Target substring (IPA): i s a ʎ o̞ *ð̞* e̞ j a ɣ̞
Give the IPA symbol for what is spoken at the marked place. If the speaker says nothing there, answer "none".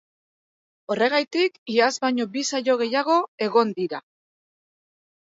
ɣ̞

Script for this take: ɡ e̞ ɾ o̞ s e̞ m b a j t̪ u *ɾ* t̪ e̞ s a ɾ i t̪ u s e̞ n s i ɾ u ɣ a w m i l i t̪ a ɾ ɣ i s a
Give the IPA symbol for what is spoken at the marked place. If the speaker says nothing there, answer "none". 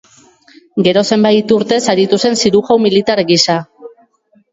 ɾ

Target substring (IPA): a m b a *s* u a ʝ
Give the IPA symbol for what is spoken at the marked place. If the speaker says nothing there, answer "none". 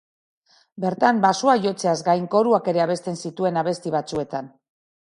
s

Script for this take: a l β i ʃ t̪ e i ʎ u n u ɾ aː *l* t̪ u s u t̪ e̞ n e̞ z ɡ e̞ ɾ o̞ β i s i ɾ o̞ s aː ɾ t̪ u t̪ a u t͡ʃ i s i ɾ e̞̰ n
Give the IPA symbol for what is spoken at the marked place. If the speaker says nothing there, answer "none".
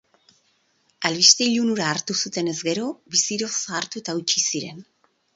ɾ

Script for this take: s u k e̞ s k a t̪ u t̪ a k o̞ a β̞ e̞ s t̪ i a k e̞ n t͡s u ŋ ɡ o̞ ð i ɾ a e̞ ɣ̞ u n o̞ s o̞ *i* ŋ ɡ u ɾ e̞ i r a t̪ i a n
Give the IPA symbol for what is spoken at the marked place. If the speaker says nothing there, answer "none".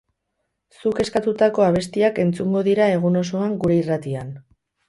a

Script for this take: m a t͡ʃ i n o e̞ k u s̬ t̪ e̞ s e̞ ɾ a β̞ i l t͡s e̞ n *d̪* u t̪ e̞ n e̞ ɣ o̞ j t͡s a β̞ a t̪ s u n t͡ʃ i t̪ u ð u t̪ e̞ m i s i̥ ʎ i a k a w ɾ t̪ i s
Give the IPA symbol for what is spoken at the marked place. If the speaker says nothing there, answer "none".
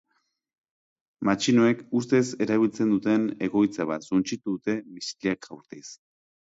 d̪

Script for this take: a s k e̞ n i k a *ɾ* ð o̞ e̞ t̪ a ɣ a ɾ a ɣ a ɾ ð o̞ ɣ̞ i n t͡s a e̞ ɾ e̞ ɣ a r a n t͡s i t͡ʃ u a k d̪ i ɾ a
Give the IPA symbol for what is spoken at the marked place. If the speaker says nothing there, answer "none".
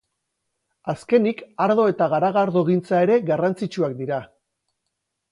ɾ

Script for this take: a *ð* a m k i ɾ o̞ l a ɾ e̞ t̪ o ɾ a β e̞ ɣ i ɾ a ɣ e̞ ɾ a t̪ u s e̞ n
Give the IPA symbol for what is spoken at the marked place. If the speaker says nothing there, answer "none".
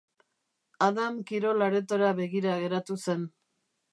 ð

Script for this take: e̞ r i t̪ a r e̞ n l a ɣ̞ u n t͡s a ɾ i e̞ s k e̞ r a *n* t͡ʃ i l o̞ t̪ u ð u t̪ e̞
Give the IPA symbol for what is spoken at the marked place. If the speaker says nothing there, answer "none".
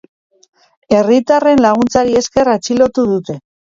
none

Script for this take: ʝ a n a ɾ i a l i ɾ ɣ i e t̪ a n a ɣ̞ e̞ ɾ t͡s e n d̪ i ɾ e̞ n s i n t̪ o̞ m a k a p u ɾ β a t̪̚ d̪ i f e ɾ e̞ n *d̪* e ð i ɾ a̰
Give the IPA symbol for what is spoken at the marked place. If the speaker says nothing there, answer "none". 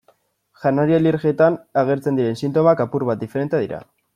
t̪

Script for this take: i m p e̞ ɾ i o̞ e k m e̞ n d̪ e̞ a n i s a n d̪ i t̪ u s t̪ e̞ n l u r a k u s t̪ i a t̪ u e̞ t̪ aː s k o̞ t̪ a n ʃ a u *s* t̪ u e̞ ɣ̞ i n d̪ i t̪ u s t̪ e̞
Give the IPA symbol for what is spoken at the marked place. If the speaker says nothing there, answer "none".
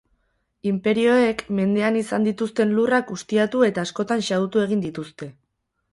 none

